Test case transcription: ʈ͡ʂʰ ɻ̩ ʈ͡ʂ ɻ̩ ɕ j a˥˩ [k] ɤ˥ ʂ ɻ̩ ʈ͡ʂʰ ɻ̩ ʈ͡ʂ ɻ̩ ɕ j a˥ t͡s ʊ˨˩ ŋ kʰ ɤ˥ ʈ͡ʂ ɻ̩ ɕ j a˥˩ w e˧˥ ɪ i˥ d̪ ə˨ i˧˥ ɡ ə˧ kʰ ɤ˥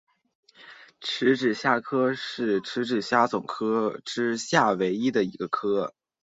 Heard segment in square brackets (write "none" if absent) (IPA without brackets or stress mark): kʰ